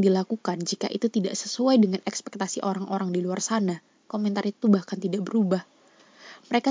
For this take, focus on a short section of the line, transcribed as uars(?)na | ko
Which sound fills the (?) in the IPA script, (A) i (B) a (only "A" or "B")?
B